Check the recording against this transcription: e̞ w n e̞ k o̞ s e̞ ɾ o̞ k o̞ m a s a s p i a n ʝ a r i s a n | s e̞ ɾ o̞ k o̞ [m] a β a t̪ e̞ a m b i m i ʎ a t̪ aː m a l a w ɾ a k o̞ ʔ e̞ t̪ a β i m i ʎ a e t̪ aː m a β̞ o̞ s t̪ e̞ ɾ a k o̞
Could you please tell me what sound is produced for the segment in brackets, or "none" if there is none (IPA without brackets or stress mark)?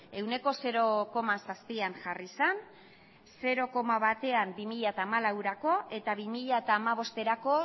m